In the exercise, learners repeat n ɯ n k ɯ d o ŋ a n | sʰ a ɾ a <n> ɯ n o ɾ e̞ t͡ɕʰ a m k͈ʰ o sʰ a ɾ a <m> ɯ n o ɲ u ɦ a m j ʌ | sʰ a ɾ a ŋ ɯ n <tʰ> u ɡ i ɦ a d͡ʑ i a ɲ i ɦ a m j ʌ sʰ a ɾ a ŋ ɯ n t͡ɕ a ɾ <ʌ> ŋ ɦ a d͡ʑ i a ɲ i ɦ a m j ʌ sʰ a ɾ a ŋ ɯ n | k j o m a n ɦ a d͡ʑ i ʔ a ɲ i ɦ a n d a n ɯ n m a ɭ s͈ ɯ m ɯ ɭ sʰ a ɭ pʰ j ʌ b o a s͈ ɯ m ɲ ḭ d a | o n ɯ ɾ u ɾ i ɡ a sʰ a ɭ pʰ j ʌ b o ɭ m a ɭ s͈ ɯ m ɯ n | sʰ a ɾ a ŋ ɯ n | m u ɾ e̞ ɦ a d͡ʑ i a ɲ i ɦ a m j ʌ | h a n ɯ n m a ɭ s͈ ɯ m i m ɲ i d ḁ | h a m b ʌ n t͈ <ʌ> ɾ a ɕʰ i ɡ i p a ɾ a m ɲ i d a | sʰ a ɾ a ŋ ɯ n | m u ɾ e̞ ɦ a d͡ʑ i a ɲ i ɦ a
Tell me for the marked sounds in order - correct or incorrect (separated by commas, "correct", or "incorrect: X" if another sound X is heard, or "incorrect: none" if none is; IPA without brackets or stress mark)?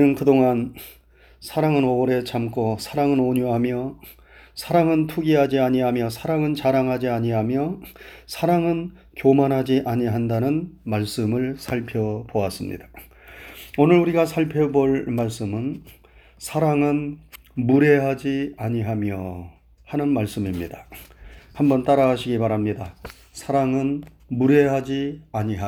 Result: incorrect: ŋ, incorrect: ŋ, correct, incorrect: a, incorrect: a